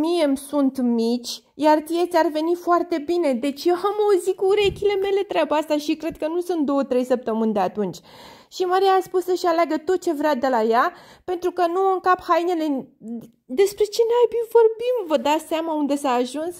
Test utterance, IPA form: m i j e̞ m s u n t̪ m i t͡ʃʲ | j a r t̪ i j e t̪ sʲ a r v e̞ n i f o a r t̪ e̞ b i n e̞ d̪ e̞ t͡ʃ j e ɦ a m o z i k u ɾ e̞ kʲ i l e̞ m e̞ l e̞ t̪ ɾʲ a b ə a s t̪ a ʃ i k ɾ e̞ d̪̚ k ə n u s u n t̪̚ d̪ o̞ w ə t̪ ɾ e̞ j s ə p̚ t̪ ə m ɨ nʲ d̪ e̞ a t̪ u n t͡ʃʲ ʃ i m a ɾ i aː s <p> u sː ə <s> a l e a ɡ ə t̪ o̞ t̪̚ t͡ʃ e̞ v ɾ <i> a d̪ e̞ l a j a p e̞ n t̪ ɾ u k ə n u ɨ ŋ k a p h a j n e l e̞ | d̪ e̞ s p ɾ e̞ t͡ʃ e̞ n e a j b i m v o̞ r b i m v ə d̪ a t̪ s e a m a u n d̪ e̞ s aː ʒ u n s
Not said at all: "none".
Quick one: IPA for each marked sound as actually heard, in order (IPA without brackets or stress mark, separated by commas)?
p, ʃ, e